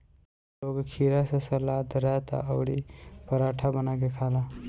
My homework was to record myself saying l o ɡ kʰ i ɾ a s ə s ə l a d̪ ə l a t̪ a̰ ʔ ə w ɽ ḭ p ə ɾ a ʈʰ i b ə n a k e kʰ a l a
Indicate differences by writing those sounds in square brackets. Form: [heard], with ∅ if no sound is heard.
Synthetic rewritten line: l o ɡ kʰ i ɾ a s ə s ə l a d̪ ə [ɾ] a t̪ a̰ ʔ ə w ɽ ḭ p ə ɾ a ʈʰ [a] b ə n a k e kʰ a l a